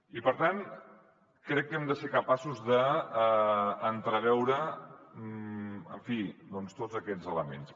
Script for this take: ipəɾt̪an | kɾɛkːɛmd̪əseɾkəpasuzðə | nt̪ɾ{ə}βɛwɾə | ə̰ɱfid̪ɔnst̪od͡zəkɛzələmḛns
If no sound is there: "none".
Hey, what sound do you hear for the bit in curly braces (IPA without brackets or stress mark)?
ə